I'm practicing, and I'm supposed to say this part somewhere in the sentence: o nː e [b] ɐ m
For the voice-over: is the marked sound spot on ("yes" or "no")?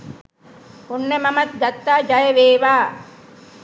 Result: no